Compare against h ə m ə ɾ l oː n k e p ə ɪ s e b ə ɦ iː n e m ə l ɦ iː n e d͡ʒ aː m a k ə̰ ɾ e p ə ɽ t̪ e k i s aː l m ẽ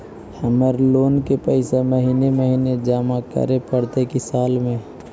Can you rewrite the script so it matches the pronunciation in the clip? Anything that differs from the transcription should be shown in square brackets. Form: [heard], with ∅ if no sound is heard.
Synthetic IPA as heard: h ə m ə ɾ l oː n k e p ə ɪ s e [m] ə ɦ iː n e m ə [∅] ɦ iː n e d͡ʒ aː m a k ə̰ ɾ e p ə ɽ t̪ e k i s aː l m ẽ